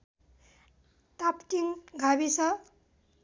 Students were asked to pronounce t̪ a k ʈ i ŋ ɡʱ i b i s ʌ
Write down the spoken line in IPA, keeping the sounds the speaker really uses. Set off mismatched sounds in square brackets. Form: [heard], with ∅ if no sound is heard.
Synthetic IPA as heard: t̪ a [p] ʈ i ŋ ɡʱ [a] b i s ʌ